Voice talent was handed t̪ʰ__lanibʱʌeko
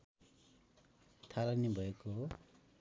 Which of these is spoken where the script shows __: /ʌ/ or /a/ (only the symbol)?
a